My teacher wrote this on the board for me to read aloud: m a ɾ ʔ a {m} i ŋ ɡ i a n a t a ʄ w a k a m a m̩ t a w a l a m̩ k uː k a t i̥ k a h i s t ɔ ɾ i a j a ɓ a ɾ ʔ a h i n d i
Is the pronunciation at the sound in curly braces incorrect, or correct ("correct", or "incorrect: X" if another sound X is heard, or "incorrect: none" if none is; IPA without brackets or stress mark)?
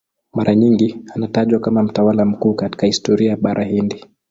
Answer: incorrect: ɲ